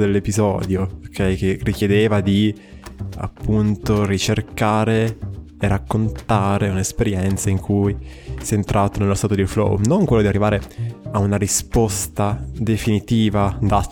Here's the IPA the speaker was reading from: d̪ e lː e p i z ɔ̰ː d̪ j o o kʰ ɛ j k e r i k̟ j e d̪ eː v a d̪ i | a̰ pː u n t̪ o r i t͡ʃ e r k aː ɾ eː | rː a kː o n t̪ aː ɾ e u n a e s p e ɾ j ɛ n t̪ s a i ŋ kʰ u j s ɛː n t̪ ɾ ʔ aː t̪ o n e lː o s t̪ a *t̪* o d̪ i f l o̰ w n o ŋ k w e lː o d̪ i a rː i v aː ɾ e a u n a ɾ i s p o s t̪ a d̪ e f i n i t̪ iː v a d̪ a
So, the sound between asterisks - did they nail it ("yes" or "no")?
yes